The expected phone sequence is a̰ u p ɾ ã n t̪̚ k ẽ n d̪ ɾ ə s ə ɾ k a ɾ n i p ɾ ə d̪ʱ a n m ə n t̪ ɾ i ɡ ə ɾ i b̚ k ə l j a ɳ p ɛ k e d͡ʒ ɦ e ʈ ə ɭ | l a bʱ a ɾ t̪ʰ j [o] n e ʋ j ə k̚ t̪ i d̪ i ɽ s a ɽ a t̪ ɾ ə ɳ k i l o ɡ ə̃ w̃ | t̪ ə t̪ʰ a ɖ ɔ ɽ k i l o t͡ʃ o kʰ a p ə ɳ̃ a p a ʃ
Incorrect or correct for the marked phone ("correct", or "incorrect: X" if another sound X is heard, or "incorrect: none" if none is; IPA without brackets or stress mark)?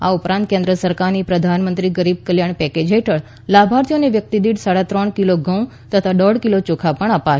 correct